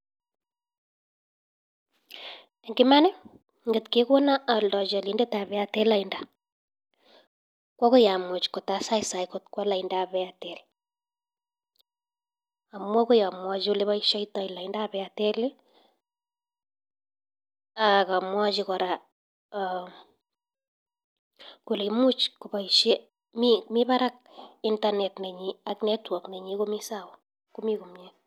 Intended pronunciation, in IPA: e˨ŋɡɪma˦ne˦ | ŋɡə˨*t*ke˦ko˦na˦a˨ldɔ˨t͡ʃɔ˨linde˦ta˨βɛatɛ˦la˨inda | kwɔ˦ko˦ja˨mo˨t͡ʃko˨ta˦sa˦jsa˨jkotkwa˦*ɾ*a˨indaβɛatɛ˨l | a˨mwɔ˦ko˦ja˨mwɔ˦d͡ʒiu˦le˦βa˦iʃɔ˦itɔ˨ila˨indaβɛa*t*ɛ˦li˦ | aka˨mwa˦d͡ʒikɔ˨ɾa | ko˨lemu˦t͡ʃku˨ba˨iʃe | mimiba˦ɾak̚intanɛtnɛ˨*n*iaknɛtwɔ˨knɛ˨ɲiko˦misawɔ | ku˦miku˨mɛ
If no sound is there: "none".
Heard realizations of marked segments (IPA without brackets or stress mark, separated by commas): t, l, t, ɲ